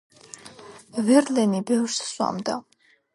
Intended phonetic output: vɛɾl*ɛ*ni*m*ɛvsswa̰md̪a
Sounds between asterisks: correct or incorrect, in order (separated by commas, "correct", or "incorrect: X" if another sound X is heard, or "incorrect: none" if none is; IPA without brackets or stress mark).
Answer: correct, incorrect: b